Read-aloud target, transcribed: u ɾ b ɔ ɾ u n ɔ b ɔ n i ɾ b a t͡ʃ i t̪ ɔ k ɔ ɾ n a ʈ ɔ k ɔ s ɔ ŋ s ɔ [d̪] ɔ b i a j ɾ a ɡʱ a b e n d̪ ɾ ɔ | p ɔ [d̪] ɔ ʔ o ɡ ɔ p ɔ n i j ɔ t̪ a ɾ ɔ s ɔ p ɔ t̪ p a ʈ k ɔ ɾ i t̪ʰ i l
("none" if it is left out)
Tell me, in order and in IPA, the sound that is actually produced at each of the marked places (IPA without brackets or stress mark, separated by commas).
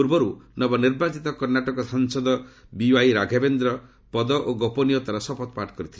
d̪, d̪